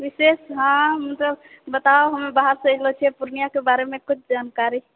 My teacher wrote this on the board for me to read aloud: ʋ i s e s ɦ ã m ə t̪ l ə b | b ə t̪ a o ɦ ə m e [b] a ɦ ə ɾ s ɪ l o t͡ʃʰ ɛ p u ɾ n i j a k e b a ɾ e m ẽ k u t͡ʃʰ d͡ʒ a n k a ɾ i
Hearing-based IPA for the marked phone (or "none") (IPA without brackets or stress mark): b